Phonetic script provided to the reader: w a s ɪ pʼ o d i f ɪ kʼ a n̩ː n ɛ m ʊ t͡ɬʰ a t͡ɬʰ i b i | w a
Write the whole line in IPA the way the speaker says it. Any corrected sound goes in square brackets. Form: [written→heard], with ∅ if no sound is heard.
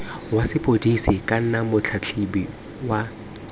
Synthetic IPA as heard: w a s ɪ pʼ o d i [f→s] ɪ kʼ a [n̩ː→n̩] n [ɛ→a] m ʊ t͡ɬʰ a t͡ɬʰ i b i | w a